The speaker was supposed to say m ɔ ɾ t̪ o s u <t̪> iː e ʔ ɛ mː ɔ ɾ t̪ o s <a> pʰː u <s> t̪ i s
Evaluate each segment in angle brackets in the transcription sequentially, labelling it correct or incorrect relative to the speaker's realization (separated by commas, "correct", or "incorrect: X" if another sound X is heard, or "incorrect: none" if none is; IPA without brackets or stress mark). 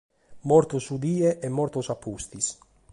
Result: incorrect: d̪, correct, correct